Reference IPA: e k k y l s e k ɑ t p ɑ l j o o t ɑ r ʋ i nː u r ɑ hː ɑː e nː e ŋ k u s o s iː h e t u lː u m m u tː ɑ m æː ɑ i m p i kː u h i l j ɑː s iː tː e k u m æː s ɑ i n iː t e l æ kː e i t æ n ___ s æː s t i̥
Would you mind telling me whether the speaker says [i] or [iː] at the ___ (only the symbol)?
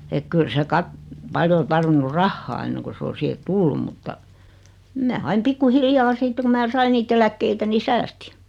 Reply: i